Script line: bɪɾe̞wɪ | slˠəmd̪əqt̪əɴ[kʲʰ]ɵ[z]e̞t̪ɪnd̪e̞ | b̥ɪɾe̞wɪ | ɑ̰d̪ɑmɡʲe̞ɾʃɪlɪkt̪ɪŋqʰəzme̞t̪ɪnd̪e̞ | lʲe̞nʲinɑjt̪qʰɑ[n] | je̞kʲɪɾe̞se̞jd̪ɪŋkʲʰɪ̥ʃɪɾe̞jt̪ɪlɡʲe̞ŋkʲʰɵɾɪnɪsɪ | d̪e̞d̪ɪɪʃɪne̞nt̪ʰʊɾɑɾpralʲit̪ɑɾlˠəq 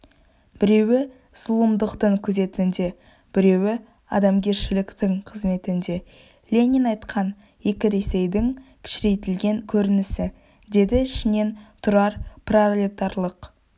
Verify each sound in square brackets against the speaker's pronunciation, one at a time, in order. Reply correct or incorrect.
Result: correct, correct, correct

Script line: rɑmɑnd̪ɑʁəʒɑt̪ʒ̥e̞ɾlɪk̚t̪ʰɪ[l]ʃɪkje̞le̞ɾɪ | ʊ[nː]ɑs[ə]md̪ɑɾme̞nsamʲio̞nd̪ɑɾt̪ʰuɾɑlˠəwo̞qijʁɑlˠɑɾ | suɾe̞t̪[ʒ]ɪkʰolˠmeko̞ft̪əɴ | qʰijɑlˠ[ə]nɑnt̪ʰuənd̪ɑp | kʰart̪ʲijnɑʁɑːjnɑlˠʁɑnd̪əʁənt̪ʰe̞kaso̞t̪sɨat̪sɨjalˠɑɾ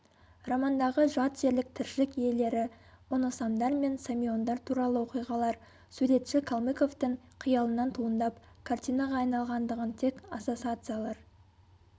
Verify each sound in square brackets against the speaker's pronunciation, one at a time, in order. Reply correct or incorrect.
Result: incorrect, incorrect, incorrect, incorrect, correct

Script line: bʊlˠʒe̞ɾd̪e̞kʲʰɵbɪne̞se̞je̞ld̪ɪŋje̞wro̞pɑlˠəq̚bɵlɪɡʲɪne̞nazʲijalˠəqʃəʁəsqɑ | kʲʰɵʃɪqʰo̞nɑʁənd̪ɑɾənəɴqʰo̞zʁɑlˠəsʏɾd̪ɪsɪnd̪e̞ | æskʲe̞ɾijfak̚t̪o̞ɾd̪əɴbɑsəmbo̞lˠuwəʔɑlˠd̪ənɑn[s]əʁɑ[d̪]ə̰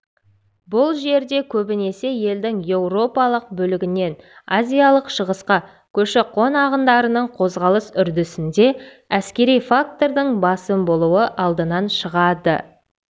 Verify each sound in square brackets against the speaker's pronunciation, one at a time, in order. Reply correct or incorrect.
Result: incorrect, correct

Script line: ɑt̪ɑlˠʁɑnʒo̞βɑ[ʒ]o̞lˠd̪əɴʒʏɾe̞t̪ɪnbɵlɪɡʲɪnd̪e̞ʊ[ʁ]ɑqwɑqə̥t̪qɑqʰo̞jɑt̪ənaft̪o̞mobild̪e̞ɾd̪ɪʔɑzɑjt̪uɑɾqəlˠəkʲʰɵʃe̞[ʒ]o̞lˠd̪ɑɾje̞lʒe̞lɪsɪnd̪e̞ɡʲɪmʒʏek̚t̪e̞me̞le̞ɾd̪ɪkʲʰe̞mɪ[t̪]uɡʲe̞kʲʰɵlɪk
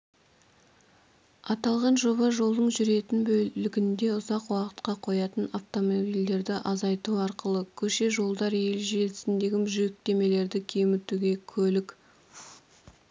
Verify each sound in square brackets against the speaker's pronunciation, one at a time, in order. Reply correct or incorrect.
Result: correct, incorrect, correct, correct

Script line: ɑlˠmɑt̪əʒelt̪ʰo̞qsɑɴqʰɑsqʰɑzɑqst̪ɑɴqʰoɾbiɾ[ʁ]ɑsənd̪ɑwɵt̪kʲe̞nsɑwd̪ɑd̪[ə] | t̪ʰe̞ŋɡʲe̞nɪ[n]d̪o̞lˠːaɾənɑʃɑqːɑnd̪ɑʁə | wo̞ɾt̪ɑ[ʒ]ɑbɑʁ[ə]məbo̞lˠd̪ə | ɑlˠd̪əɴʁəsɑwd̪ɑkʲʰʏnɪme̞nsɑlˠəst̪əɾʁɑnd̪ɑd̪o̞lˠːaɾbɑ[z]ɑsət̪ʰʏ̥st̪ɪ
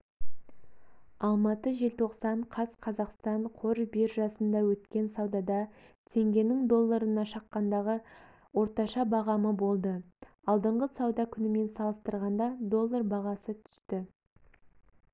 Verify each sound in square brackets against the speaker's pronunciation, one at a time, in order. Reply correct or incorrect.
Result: incorrect, incorrect, incorrect, incorrect, incorrect, incorrect

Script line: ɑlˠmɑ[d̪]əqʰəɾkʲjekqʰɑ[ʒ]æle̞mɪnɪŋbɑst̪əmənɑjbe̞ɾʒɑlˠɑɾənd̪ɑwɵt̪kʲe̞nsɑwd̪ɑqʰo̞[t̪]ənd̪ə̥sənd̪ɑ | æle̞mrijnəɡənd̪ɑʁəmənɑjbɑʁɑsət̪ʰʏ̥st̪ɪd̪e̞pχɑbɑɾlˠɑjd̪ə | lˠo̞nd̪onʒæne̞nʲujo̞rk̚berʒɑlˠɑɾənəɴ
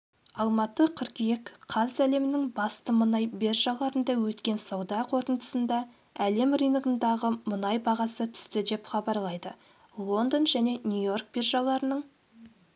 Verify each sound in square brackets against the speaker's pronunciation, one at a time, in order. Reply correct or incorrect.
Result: incorrect, incorrect, correct

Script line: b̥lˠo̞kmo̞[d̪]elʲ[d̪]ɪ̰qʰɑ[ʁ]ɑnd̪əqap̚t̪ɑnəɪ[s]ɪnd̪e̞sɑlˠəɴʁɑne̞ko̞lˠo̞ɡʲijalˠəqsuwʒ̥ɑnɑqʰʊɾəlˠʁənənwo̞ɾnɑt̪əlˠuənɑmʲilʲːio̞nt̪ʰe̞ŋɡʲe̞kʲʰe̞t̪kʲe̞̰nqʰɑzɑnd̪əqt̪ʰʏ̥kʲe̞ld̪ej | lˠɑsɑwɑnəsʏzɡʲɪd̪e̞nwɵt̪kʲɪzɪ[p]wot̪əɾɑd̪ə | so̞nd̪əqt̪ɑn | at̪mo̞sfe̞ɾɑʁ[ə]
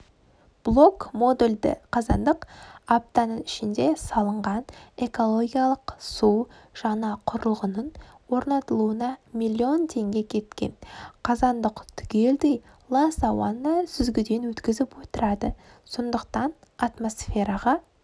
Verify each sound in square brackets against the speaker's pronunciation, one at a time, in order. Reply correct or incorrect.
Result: correct, correct, incorrect, incorrect, correct, incorrect

